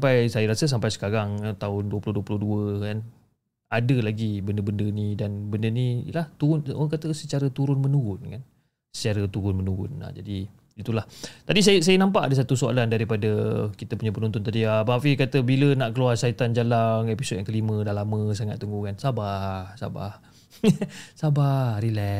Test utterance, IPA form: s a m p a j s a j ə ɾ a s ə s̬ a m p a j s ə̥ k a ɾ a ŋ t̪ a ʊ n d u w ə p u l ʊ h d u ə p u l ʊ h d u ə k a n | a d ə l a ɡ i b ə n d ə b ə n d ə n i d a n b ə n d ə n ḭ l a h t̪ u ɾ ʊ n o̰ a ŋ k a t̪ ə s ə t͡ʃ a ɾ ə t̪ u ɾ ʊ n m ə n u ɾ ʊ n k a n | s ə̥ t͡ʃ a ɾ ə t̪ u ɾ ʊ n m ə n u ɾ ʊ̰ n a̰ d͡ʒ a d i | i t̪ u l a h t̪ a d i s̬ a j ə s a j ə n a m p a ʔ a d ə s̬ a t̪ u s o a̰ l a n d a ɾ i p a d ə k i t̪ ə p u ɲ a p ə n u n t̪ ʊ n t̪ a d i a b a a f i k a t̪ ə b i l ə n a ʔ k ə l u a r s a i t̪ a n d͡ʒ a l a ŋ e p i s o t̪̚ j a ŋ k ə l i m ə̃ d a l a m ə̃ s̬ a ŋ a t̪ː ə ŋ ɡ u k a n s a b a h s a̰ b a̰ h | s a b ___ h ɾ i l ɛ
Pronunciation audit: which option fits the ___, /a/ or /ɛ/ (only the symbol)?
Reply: a